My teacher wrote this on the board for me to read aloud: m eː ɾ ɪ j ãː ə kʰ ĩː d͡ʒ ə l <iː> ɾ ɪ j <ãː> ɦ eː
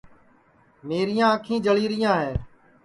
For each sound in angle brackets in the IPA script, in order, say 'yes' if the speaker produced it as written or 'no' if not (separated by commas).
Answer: yes, yes